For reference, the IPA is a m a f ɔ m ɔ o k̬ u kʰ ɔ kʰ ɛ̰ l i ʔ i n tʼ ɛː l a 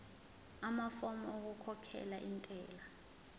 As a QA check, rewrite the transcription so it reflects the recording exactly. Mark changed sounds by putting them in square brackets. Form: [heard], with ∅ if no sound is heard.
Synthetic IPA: a m a f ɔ m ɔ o k̬ u kʰ ɔ kʰ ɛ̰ l [a] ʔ i n tʼ ɛː l a